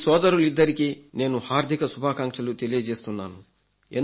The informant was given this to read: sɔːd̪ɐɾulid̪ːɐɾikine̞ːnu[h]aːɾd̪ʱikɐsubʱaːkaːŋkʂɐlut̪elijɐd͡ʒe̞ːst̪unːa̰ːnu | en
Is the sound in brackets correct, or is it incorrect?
correct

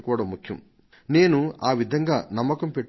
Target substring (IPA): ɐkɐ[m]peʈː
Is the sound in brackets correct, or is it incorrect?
correct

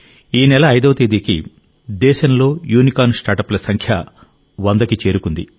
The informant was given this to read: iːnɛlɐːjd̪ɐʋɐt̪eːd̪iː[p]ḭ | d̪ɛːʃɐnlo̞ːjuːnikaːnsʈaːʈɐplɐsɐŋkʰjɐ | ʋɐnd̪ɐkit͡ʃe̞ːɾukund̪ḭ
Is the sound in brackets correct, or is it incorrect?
incorrect: k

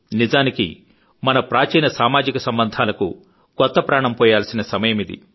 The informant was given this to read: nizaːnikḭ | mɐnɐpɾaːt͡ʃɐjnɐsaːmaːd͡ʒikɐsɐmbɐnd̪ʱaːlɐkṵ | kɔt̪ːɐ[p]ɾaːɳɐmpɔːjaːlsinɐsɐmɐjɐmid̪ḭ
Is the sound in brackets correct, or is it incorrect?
correct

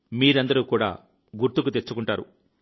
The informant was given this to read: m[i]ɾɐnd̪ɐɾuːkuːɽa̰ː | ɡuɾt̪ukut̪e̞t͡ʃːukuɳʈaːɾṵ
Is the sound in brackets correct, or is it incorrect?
incorrect: iː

